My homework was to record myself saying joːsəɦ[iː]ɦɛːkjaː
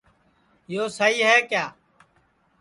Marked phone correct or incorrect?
correct